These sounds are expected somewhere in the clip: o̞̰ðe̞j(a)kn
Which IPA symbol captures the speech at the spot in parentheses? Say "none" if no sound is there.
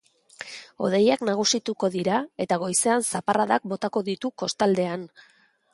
a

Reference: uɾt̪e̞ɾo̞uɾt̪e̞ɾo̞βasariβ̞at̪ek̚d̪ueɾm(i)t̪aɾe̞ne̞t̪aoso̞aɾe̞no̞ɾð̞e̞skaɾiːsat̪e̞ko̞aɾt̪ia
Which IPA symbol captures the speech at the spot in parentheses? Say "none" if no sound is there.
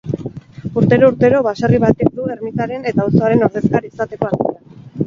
i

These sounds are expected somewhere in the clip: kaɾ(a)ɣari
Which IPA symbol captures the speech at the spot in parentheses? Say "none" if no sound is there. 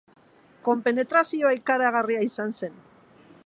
a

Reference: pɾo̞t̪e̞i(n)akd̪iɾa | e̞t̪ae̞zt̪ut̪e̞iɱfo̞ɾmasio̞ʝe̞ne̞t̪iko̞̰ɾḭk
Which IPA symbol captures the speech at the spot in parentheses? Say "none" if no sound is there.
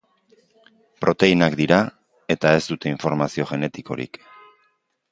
n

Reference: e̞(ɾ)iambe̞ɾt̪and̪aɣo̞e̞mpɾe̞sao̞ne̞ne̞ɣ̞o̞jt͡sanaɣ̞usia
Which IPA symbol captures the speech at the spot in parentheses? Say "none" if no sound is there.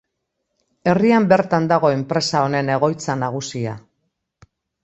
r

